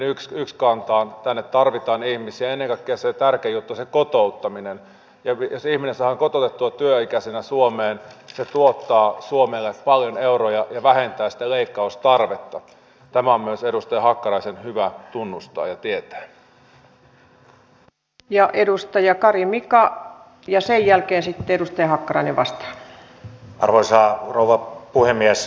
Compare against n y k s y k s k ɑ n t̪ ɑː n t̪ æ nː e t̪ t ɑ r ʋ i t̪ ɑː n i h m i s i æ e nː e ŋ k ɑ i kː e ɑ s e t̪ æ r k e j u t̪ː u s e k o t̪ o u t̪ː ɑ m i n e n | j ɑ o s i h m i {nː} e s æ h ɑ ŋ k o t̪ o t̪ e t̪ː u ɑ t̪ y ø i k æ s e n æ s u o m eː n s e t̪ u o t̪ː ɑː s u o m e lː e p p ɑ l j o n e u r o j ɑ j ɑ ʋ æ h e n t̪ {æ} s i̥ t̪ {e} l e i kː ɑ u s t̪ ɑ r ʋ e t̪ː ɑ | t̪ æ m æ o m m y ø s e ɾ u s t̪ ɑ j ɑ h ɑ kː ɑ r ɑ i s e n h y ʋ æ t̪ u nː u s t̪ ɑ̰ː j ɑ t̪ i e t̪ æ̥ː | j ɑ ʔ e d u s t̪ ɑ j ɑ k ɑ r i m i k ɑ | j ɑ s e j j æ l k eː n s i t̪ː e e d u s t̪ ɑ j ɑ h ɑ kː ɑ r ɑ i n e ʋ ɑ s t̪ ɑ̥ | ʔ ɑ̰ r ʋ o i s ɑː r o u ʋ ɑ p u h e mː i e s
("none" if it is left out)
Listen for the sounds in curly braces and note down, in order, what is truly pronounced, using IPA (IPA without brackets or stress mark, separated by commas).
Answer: n, æː, æ